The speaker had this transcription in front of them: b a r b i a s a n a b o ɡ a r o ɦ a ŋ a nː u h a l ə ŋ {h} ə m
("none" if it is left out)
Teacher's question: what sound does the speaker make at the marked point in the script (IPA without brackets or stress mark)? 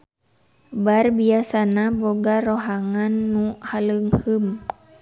h